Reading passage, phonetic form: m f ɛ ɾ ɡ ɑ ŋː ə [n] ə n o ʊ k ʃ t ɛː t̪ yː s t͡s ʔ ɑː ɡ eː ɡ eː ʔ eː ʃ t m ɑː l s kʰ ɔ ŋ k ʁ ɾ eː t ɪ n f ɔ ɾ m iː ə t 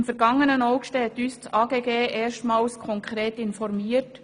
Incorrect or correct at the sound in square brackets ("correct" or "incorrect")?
correct